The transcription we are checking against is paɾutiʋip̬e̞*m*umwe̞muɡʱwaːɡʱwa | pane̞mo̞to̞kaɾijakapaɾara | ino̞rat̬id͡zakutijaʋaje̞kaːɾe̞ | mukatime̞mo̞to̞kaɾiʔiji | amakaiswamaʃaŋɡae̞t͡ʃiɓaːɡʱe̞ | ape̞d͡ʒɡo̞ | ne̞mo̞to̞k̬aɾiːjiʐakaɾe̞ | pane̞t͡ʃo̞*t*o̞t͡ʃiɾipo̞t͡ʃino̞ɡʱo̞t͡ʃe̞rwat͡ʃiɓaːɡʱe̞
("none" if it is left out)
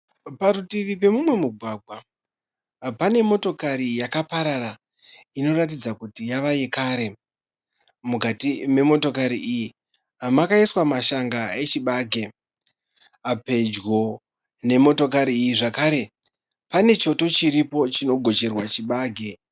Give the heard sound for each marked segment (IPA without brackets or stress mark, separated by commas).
m, t